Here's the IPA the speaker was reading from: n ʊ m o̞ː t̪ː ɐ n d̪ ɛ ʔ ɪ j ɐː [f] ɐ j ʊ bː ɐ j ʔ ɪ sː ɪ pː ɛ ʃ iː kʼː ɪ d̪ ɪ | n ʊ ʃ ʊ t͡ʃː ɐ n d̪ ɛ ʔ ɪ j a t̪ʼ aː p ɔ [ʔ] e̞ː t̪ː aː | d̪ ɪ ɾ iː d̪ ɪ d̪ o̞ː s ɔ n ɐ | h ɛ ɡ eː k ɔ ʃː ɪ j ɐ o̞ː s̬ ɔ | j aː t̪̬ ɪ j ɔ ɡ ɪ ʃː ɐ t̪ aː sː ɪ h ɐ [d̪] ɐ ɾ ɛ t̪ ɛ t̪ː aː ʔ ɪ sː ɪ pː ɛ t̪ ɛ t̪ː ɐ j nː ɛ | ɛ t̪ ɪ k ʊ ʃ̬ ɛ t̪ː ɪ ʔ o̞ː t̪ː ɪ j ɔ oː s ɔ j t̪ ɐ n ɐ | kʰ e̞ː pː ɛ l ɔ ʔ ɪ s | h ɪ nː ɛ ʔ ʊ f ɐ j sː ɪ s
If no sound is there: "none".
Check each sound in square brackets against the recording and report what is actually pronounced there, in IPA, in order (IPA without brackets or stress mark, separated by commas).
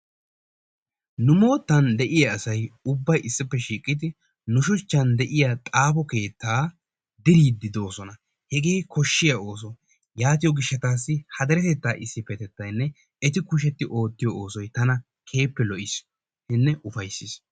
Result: s, k, d̪